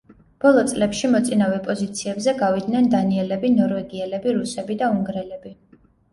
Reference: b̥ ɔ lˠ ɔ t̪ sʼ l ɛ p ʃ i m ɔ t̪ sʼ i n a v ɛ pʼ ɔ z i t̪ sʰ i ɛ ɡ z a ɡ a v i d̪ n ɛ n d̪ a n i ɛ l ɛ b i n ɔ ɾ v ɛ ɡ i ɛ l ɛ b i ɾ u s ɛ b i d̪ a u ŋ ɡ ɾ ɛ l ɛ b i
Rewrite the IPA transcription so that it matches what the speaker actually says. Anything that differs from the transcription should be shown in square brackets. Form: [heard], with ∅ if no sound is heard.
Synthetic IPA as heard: b̥ ɔ lˠ ɔ t̪ sʼ l ɛ p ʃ i m ɔ t̪ sʼ i n a v ɛ pʼ ɔ z i t̪ sʰ i ɛ [b] z [ɛ] ɡ a v i d̪ n ɛ n d̪ a n i ɛ l ɛ b i n ɔ ɾ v ɛ ɡ i ɛ l ɛ b i ɾ u s ɛ b i d̪ a u ŋ ɡ ɾ ɛ l ɛ b i